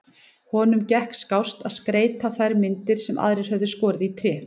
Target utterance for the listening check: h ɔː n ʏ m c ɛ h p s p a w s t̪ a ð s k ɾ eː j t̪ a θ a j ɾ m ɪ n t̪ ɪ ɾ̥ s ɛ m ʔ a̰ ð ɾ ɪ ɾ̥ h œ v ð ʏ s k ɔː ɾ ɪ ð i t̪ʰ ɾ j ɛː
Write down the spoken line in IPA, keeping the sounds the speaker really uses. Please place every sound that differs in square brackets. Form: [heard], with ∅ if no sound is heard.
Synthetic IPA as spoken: h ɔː n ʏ m c ɛ h [k] s [k] a w s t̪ a ð s k ɾ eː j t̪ a θ a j ɾ m ɪ n t̪ ɪ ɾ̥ s ɛ m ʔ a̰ ð ɾ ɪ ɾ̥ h œ v ð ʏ s k ɔː ɾ ɪ ð i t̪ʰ ɾ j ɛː